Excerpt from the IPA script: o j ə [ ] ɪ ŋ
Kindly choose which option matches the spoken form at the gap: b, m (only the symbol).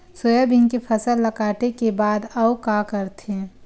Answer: b